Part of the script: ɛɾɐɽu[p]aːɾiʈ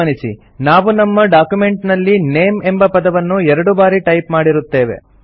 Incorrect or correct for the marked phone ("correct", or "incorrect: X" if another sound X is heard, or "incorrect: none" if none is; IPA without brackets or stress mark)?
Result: incorrect: b